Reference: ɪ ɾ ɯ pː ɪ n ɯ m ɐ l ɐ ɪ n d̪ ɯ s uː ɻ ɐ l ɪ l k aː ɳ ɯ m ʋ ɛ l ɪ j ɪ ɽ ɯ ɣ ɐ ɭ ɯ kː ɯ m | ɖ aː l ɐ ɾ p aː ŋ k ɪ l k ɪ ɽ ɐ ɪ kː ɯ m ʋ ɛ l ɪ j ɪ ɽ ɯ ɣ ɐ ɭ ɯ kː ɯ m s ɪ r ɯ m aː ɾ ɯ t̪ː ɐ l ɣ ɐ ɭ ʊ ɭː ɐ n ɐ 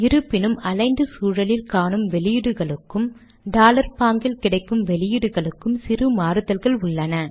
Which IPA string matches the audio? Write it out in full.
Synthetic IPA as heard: ɪ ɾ ɯ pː ɪ n ɯ m ɐ l ɐ ɪ n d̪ ɯ s uː ɻ ɐ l ɪ l k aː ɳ ɯ m ʋ ɛ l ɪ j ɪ ɽ ɯ ɣ ɐ ɭ ɯ kː ɯ m | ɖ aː l ɐ ɾ p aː ŋ ɡ ɪ l k ɪ ɽ ɐ ɪ kː ɯ m ʋ ɛ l ɪ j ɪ ɽ ɯ ɣ ɐ ɭ ɯ kː ɯ m s ɪ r ɯ m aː ɾ ɯ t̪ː ɐ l ɣ ɐ ɭ ʊ ɭː ɐ n ɐ